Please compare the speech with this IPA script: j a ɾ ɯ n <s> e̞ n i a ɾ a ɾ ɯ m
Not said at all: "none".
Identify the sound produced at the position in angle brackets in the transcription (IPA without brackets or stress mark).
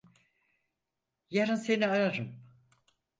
s